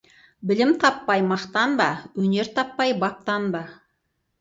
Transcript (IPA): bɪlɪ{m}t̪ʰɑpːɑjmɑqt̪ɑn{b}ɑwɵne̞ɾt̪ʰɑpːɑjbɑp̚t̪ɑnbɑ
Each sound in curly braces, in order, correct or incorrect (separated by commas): correct, correct